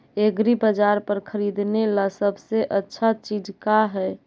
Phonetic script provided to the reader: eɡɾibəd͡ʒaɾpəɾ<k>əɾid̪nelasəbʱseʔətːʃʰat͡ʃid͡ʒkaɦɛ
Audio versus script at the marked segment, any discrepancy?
yes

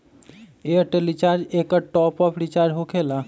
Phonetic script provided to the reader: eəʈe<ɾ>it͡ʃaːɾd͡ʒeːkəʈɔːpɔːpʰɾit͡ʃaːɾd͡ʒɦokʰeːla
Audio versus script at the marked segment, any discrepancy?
yes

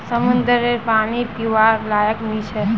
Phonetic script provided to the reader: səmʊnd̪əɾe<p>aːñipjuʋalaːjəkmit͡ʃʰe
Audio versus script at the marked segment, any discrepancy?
no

